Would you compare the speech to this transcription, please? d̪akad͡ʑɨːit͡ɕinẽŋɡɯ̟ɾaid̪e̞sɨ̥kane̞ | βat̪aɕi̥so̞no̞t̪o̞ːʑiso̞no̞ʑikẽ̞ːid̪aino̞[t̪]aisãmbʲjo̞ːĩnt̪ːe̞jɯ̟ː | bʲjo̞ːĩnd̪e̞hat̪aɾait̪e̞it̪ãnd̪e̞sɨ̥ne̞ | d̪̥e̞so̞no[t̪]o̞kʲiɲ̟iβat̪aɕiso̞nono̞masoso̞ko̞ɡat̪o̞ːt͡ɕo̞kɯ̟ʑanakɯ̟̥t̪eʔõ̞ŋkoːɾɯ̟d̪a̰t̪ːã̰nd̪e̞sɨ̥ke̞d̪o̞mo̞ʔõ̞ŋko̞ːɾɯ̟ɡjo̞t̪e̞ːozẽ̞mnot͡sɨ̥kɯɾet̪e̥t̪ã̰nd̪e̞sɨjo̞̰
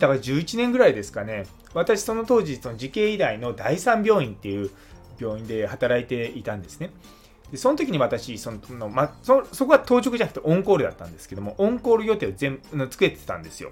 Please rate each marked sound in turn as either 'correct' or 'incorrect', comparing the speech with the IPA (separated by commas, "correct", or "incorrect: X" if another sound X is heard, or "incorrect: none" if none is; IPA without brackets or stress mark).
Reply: incorrect: d̪, correct